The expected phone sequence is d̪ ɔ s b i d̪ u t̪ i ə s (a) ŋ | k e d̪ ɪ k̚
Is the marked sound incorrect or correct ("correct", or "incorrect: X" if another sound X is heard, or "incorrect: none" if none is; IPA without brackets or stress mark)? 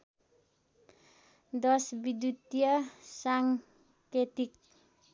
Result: correct